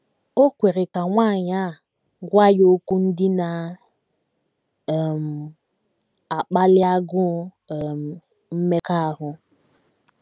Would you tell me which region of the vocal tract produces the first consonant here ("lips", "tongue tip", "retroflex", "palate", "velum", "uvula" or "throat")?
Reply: velum